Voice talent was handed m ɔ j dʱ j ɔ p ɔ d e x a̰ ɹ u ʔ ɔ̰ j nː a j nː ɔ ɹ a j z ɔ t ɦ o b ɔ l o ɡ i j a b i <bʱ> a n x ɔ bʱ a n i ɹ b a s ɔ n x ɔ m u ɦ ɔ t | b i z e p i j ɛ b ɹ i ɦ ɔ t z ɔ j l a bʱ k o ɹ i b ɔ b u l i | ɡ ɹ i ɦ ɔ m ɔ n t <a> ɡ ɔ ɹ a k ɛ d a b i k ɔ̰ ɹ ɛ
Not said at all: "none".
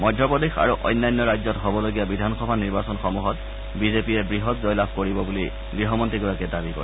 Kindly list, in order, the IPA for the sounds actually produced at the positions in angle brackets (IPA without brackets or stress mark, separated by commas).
dʱ, i